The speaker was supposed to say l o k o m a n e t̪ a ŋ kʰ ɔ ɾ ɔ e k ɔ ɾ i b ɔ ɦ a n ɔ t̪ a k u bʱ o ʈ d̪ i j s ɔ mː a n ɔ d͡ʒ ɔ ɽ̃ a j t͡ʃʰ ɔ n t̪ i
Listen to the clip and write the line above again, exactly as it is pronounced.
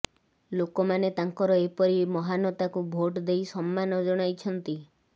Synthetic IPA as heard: l o k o m a n e t̪ a ŋ k ɔ ɾ ɔ e p ɔ ɾ i m ɔ ɦ a n ɔ t̪ a k u bʱ o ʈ d̪ e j s ɔ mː a n ɔ d͡ʒ ɔ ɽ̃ a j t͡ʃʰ ɔ n t̪ i